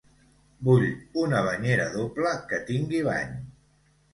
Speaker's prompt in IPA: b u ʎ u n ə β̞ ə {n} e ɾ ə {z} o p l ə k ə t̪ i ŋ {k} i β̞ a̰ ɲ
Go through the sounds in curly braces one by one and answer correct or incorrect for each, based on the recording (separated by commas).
incorrect, incorrect, incorrect